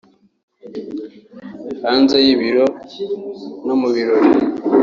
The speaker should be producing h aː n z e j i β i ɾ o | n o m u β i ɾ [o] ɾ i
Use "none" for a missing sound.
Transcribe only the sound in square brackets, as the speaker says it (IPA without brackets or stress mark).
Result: o